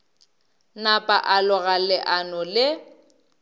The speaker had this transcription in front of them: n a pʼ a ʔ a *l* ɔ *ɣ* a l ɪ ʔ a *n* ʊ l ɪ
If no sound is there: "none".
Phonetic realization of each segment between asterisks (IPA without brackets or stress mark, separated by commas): l, ɣ, n